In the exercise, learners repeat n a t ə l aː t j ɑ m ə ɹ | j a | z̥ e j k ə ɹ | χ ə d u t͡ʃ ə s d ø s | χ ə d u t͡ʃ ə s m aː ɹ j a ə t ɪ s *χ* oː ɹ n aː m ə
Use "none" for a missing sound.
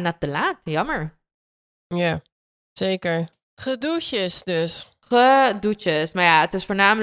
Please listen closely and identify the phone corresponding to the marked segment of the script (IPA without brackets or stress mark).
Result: f